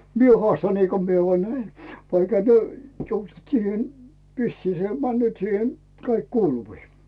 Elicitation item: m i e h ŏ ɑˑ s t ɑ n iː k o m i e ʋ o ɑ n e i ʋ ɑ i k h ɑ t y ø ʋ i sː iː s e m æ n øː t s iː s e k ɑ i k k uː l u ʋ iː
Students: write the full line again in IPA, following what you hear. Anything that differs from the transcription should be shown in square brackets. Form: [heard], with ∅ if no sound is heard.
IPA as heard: m i e h ŏ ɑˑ s t ɑ n iː k o m i e ʋ o ɑ n [æ] i ʋ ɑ i k h ɑ t y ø ʋ i sː iː s e m æ [nː] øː t s iː [h] e k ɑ i k k uː l u ʋ iː